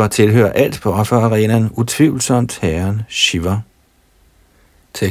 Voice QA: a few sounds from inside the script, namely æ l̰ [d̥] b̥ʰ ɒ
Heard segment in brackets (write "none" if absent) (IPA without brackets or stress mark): d̥